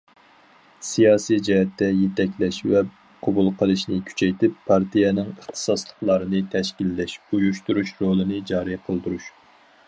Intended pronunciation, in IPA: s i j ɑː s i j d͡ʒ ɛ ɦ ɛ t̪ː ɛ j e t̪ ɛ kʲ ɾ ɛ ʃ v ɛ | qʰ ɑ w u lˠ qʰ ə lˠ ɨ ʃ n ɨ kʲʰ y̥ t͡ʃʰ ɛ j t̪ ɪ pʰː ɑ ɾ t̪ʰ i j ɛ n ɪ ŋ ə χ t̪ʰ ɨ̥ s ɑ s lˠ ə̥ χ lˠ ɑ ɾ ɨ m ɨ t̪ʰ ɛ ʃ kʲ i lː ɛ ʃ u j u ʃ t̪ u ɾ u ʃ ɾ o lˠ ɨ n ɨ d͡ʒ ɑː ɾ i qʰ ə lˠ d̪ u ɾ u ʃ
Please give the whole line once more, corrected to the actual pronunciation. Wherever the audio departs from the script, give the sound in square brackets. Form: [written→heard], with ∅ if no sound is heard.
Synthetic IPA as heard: s i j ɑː s i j d͡ʒ ɛ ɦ ɛ t̪ː ɛ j e t̪ ɛ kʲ [ɾ→l] ɛ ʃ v ɛ | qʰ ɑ [w→b] u lˠ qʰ ə lˠ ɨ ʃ n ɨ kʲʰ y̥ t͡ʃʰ ɛ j t̪ ɪ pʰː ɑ ɾ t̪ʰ i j ɛ n ɪ ŋ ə χ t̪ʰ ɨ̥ s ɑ s lˠ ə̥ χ lˠ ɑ ɾ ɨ [m→n] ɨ t̪ʰ ɛ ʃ kʲ i lː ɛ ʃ u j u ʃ t̪ u ɾ u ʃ ɾ o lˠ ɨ n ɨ d͡ʒ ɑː ɾ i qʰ ə lˠ d̪ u ɾ u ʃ